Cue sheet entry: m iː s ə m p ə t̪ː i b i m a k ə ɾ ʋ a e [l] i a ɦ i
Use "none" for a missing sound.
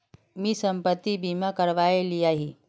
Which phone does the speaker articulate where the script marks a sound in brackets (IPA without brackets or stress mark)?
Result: l